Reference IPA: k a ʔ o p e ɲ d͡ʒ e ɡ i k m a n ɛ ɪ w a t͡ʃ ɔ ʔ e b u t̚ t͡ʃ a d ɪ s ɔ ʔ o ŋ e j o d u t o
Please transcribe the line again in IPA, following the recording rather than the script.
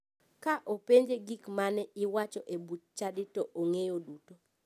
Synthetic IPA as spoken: k a ʔ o p e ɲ d͡ʒ e ɡ i k m a n ɛ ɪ w a t͡ʃ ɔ ʔ e b u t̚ t͡ʃ a d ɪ t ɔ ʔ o ŋ e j o d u t o